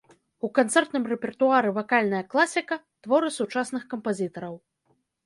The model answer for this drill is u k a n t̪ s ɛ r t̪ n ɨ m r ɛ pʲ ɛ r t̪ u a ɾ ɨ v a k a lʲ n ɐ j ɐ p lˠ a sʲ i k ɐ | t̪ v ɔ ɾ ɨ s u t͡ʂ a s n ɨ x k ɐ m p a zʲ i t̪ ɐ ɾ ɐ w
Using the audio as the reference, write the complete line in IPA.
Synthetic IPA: u k a n t̪ s ɛ r t̪ n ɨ m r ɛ pʲ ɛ r t̪ u a ɾ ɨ v a k a lʲ n ɐ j ɐ k lˠ a sʲ i k ɐ | t̪ v ɔ ɾ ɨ s u t͡ʂ a s n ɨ x k ɐ m p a zʲ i t̪ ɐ ɾ ɐ w